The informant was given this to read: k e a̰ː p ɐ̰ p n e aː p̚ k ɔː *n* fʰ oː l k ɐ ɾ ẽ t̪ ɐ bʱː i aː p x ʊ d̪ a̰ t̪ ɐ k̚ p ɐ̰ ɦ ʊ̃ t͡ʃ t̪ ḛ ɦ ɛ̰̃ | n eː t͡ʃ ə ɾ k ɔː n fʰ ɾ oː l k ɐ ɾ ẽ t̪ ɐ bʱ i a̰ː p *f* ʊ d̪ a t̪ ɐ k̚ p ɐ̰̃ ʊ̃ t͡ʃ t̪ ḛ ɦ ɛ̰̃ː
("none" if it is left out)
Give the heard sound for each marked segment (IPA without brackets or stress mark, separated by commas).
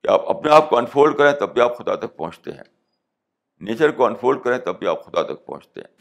n, x